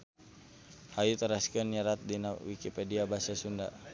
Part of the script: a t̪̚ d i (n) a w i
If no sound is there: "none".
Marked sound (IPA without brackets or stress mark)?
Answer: n